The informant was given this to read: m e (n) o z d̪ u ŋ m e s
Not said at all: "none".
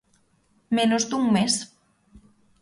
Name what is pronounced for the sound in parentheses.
n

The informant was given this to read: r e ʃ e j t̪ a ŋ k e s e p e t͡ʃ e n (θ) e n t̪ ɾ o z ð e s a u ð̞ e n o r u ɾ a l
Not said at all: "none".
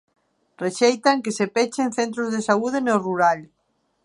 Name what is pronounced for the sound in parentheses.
θ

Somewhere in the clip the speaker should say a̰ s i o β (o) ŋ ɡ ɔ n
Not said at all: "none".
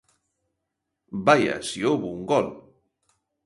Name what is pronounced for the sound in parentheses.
u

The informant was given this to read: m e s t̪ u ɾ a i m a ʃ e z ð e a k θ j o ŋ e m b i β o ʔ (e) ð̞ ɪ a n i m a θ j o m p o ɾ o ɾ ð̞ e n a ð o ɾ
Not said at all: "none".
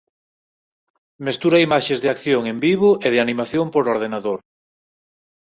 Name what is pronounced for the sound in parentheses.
e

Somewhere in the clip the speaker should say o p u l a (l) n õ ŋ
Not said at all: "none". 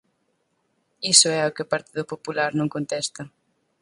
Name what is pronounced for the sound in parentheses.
ɾ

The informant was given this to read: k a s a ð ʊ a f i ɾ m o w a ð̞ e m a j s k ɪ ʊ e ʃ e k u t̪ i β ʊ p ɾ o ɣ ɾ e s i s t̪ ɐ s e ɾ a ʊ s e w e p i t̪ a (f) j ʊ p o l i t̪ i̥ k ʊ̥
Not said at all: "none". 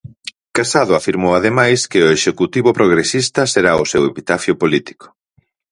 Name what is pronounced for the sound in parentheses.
f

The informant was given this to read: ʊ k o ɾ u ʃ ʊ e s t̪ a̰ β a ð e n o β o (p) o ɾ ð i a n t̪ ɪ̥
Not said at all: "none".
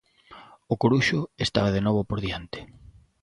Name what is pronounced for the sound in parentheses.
p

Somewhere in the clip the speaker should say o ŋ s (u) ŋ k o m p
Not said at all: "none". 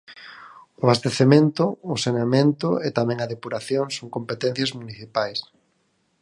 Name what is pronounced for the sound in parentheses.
o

